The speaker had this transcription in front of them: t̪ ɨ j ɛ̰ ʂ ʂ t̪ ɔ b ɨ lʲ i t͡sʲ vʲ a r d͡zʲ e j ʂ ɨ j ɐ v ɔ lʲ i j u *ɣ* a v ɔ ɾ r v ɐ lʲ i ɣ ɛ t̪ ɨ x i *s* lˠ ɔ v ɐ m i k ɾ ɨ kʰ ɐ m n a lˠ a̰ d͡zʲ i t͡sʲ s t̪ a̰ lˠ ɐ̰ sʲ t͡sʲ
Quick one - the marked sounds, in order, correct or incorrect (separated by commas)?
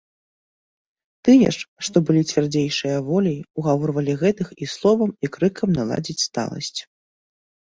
correct, correct